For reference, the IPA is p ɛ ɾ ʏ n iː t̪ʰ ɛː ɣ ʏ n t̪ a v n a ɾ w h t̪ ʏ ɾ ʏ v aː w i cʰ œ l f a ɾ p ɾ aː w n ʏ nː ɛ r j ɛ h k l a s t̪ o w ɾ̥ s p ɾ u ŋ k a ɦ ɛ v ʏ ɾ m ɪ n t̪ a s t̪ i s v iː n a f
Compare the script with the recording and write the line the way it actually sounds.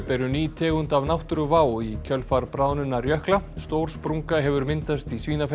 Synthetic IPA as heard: p ɛ ɾ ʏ n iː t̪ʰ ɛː ɣ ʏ n t̪ a v n a w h t̪ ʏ ɾ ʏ v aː w i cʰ œ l f a ɾ p ɾ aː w n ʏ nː a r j œ h k l a s t̪ o w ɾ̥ s p ɾ u ŋ k a ɦ ɛ v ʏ ɾ m ɪ n t̪ a s t̪ i s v iː n a f